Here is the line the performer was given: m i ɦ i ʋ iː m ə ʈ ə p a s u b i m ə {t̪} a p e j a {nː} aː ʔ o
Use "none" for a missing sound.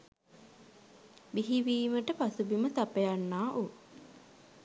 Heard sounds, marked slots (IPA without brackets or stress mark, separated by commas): t̪, nː